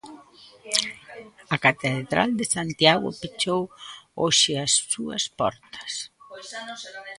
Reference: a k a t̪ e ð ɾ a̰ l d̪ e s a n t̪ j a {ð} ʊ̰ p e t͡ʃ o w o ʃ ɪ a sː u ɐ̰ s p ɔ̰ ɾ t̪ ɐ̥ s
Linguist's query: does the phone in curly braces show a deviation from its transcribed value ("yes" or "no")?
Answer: yes